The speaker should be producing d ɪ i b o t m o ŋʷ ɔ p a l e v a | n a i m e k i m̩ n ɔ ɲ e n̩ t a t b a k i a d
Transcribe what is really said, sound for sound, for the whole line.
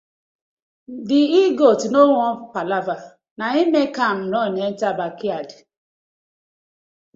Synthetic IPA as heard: d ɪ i ɡ o t n o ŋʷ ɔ p a l a v a | n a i m e k a m̩ n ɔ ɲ e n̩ t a b a k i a d